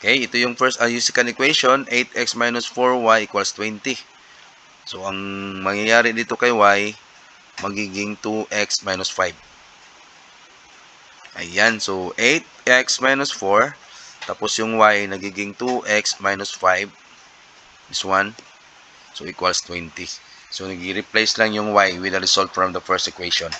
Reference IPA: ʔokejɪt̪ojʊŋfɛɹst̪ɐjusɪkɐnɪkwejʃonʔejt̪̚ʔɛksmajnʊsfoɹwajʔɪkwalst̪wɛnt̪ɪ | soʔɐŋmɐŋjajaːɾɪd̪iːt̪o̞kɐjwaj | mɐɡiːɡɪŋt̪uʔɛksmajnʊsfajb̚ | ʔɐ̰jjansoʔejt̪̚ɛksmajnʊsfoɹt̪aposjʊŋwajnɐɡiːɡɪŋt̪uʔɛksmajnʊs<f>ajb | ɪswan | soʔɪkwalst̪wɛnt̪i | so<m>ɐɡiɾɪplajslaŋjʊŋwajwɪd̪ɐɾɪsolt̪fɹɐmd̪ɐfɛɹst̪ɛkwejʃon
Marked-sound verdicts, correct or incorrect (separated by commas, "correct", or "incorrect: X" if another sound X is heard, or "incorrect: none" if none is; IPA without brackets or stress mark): correct, incorrect: n